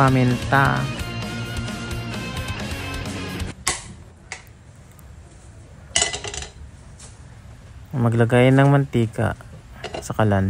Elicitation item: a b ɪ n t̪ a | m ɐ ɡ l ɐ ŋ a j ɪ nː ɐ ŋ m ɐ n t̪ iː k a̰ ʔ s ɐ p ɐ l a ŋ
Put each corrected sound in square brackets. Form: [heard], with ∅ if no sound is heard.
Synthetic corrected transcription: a [m] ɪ n t̪ a | m ɐ ɡ l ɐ [ɡ] a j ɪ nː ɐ ŋ m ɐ n t̪ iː k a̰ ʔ s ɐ [k] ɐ l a [n]